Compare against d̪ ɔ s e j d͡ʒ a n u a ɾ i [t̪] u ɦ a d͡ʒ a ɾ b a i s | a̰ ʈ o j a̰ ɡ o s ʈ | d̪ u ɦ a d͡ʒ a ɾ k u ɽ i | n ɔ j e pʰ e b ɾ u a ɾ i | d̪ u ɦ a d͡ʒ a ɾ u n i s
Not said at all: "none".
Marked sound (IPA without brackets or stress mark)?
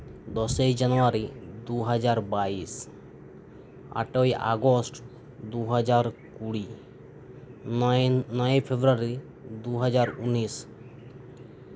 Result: d̪